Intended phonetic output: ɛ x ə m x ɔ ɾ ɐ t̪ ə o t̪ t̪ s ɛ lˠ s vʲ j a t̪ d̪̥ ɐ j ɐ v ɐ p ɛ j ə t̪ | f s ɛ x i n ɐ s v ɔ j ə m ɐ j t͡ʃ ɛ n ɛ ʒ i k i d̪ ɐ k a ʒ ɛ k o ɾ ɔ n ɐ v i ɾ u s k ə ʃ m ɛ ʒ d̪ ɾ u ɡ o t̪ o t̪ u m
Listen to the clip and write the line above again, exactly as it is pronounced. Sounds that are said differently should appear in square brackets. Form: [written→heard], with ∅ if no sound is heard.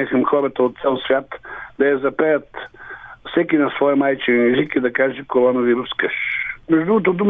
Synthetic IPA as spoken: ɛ x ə m x ɔ ɾ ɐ t̪ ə o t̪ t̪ s ɛ lˠ s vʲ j a t̪ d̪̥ ɐ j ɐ [v→z] ɐ p ɛ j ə t̪ | f s ɛ [x→k] i n ɐ s v ɔ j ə m [ɐ→a] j t͡ʃ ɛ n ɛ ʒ i k i d̪ ɐ k a ʒ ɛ k o ɾ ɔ n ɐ v i ɾ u s k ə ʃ m ɛ ʒ d̪ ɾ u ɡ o t̪ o [t̪→d̪] u m